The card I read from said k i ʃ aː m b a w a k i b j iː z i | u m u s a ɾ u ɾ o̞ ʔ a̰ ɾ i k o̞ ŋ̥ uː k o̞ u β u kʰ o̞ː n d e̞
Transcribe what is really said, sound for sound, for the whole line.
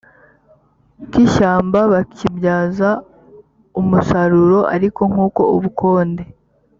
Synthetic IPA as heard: k i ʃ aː m b a β a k i b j aː z a | u m u s a ɾ u ɾ o̞ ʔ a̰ ɾ i k o̞ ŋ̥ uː k o̞ u β u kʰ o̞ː n d e̞